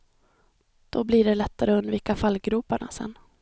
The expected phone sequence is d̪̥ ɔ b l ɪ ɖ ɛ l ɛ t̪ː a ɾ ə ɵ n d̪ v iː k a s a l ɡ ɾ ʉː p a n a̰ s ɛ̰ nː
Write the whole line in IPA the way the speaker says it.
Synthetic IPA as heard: d̪̥ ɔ b l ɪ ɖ ɛ l ɛ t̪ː a ɾ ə ɵ n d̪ v iː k a f a l ɡ ɾ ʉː p a ɳ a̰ s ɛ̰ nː